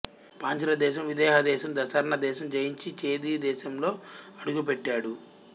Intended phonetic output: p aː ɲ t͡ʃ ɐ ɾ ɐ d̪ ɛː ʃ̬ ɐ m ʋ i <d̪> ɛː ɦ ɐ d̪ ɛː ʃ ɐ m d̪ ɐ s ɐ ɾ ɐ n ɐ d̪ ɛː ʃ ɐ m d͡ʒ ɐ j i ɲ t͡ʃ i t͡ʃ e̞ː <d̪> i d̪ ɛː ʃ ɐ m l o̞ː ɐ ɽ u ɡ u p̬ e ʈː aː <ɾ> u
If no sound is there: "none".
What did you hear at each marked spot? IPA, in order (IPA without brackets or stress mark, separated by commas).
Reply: d̪, d̪, ɽ